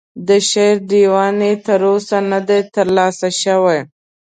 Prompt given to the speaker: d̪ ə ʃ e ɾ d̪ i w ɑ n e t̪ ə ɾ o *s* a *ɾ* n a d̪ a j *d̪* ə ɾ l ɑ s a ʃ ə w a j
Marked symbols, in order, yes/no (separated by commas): yes, no, no